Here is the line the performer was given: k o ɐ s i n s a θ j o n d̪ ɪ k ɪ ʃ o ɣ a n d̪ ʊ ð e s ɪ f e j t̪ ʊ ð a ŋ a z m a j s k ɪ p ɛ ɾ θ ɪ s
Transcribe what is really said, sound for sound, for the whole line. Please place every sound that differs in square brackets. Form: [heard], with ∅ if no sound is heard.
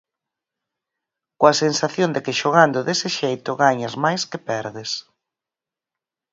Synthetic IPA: k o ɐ s [e] n s a θ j o n d̪ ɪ k ɪ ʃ o ɣ a n d̪ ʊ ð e s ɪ [ʃ] e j t̪ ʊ [ɣ] a [ɲ] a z m a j s k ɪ p ɛ ɾ [ð] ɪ s